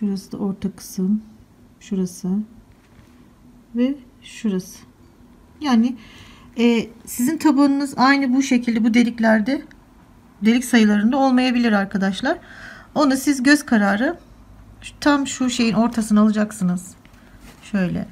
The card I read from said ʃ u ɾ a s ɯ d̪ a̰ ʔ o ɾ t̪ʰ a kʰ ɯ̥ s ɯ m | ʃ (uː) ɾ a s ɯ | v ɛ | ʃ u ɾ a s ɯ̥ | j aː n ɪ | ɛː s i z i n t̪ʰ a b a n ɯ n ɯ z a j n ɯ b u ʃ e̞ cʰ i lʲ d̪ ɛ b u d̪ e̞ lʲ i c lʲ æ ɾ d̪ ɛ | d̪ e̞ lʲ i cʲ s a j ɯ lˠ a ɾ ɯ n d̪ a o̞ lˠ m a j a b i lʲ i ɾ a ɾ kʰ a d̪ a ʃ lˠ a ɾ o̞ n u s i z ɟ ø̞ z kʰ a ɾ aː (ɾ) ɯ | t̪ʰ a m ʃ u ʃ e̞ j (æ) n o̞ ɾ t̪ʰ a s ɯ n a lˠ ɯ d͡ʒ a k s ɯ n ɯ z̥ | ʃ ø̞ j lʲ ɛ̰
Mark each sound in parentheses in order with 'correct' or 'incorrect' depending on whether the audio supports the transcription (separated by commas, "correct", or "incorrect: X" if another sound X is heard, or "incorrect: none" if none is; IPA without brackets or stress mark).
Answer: incorrect: u, correct, incorrect: i